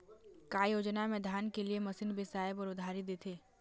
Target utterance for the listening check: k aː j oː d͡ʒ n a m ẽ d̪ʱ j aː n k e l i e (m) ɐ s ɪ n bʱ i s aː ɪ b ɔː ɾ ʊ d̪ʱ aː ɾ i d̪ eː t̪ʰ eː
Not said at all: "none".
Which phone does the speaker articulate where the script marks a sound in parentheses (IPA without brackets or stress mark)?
m